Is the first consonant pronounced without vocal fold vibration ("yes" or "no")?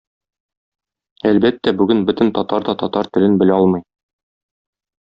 no